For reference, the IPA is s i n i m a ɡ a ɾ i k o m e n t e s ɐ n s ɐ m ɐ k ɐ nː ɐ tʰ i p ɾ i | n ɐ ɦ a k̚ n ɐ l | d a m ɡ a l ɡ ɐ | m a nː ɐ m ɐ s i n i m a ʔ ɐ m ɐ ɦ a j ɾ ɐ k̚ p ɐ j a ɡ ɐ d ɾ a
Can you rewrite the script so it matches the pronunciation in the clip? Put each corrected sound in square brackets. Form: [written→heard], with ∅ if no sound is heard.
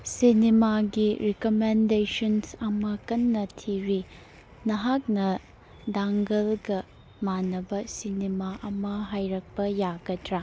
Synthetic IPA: s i n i m a ɡ [a→i] ɾ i k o m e n [t→d] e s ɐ n s ɐ m ɐ k ɐ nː ɐ tʰ i [p→∅] ɾ i | n ɐ ɦ a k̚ n ɐ [l→∅] | d a [m→ŋ] ɡ [a→ɐ] l ɡ ɐ | m a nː ɐ [m→b] ɐ s i n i m a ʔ ɐ m ɐ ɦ a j ɾ ɐ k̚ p ɐ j a ɡ ɐ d ɾ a